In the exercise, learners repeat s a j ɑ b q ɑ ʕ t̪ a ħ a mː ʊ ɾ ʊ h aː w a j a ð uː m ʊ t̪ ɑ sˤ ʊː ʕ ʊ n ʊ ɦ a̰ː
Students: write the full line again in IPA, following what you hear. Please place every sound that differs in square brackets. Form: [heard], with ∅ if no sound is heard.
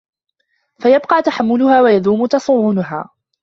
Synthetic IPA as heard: [f] a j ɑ b q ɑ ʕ t̪ a ħ a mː ʊ [l] ʊ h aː w a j a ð uː m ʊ t̪ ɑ sˤ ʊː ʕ ʊ n ʊ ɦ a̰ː